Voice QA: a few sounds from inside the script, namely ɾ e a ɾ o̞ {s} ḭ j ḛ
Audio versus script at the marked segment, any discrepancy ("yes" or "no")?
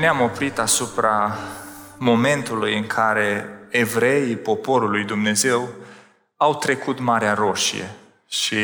yes